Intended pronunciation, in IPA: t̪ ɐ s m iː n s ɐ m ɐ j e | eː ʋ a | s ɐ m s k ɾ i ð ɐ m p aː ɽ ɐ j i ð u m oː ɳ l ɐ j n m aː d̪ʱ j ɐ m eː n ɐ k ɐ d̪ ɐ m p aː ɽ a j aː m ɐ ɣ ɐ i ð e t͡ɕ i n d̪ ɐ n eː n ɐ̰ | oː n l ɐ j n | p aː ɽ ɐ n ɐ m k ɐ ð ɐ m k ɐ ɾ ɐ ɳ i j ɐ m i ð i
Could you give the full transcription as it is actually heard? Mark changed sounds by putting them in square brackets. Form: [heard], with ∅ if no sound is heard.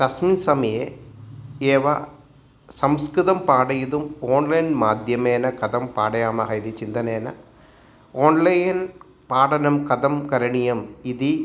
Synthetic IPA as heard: t̪ ɐ s m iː n s ɐ m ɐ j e | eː ʋ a | s ɐ m s k ɾ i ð ɐ m p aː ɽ ɐ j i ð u m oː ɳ l ɐ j n m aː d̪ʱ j ɐ m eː n ɐ k ɐ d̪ ɐ m p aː ɽ [ɐ] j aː m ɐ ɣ ɐ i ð [i] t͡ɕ i n d̪ ɐ n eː n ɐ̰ | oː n l ɐ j n | p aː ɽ ɐ n ɐ m k ɐ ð ɐ m k ɐ ɾ ɐ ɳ i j ɐ m i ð i